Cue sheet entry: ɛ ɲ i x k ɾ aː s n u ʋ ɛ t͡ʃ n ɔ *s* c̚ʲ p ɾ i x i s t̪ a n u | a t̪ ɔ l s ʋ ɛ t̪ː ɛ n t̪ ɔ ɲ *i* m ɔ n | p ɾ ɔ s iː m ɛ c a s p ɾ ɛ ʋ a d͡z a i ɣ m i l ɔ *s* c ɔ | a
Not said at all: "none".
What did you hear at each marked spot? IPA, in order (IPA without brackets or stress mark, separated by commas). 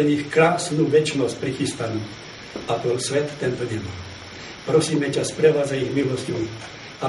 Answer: s, ɛ, s